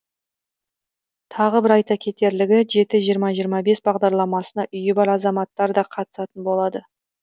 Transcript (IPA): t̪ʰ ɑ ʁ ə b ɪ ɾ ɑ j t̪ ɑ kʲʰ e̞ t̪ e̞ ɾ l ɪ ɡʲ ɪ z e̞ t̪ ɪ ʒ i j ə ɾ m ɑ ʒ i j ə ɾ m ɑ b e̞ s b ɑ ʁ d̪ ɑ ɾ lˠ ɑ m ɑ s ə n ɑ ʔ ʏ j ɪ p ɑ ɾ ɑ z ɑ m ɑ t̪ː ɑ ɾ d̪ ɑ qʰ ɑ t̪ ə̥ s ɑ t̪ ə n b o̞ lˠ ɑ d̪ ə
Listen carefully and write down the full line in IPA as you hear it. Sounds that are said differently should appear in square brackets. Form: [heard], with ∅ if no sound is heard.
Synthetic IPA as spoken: t̪ʰ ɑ ʁ ə b ɪ ɾ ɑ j t̪ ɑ kʲʰ e̞ t̪ e̞ ɾ l ɪ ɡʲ ɪ [ʒ] e̞ t̪ ɪ ʒ i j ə ɾ m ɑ ʒ i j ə ɾ m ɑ b e̞ s b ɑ ʁ d̪ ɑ ɾ lˠ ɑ m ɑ s ə n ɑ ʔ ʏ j ɪ [b] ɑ ɾ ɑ z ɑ m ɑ t̪ː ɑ ɾ d̪ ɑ qʰ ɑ t̪ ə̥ s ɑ t̪ ə n b o̞ lˠ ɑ d̪ ə